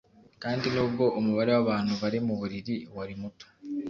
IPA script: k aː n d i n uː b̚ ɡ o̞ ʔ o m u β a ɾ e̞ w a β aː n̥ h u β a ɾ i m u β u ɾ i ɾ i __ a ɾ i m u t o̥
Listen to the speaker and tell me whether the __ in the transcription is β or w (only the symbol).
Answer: w